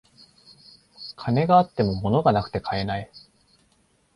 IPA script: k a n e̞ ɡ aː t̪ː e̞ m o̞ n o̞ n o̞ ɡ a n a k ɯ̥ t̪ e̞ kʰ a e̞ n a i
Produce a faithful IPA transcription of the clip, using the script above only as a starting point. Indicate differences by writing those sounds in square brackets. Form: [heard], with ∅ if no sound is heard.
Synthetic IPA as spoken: [kʰ] a n e̞ ɡ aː t̪ː e̞ m o̞ [m] o̞ n o̞ ɡ a n a k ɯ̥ t̪ e̞ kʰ a e̞ n a i